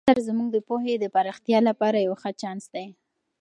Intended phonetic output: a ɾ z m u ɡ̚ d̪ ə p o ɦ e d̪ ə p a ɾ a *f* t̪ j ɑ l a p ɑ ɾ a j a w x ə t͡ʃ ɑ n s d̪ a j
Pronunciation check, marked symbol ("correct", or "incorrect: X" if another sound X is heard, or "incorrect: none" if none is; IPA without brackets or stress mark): incorrect: x